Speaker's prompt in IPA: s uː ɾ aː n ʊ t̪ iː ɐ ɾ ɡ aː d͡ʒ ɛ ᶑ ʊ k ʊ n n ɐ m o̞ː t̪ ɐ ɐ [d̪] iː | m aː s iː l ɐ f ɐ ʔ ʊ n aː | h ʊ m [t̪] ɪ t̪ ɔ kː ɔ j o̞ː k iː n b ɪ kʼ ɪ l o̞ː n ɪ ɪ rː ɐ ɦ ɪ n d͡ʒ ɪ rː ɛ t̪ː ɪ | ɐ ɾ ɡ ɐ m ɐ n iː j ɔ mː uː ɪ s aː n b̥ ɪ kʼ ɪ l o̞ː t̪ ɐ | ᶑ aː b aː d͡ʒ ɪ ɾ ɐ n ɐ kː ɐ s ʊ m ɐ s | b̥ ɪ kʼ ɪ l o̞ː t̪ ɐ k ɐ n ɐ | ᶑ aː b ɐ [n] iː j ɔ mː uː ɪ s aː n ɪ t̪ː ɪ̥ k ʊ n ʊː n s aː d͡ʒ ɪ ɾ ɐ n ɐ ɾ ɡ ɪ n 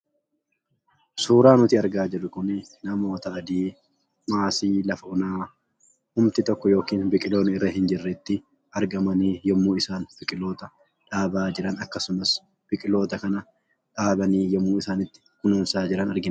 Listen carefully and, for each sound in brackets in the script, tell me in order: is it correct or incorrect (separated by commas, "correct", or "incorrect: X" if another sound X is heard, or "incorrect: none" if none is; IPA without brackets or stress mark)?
correct, correct, correct